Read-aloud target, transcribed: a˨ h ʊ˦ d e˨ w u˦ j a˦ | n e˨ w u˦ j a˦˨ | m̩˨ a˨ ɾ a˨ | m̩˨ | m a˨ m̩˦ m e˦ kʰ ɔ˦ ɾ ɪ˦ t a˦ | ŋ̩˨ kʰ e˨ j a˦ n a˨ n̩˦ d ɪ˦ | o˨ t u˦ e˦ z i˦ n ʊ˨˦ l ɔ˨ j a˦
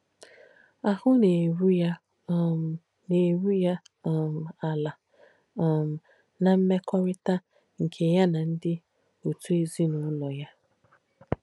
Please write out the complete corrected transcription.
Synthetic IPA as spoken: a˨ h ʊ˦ n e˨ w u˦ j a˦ | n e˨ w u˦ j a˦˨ | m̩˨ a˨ l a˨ | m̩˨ | n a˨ m̩˦ m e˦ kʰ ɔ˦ ɾ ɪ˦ t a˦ | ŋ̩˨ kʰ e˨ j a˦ n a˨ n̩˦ d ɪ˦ | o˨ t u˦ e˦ z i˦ n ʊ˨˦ l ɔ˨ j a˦